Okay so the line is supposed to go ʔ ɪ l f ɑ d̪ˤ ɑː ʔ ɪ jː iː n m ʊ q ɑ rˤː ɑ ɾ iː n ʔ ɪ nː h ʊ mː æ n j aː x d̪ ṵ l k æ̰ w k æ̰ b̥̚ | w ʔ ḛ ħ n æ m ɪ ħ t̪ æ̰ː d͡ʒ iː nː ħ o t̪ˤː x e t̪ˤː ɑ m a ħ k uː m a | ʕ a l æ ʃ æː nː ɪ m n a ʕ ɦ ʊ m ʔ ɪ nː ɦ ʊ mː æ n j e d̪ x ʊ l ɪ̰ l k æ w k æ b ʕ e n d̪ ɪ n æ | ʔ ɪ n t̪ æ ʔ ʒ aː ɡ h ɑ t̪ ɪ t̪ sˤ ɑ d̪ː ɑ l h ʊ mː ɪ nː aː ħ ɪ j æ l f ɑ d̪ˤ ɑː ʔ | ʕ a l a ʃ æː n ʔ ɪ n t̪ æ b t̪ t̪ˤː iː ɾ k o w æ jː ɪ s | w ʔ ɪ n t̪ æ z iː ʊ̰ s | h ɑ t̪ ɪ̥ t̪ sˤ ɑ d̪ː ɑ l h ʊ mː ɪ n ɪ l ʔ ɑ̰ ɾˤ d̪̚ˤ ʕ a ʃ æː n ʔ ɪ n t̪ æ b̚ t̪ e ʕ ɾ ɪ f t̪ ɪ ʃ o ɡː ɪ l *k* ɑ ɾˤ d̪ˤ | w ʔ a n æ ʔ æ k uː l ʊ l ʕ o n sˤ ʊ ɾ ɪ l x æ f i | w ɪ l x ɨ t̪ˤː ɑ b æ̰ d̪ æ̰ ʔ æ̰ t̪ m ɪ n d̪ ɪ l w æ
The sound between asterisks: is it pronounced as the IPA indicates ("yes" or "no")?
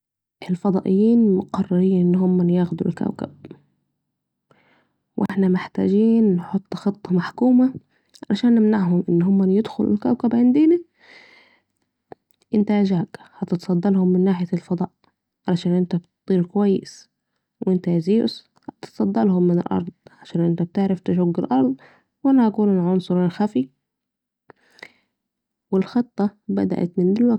no